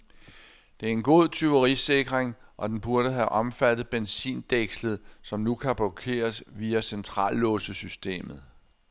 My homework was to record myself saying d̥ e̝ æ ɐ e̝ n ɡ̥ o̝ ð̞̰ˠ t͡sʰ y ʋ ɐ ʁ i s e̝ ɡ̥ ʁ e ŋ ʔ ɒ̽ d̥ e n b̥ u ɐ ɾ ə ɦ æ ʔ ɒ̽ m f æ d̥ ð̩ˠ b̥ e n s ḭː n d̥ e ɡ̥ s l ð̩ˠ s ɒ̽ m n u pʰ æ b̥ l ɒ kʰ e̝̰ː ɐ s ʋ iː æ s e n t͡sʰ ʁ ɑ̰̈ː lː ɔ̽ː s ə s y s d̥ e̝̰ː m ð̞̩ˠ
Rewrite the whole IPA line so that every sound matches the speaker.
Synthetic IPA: d̥ e̝ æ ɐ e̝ n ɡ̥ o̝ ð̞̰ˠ t͡sʰ y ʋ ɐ ʁ i s e̝ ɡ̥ ʁ e ŋ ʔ ɒ̽ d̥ e n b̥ u ɐ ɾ ə ɦ æ ʔ ɒ̽ m f æ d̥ ð̩ˠ b̥ e n s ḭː n d̥ e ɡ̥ s l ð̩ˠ s ɒ̽ m n u kʰ æ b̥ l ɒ kʰ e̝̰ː ɐ s ʋ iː æ s e n t͡sʰ ʁ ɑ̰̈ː lː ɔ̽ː s ə s y s d̥ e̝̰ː m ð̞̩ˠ